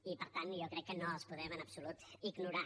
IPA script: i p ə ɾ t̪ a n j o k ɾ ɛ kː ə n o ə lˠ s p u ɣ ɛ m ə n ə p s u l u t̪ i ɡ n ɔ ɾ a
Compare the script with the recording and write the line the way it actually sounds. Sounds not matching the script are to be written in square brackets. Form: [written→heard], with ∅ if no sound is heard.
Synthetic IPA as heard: i p ə ɾ t̪ a n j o k ɾ ɛ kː ə n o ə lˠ s p u [ɣ→ð] ɛ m ə n ə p s u l u t̪ i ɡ n [ɔ→u] ɾ a